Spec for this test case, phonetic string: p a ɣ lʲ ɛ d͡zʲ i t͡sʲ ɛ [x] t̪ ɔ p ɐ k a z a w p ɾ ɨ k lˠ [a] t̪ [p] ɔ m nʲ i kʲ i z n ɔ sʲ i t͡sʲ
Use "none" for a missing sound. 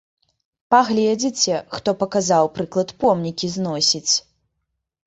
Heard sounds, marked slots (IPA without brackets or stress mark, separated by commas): x, ɐ, p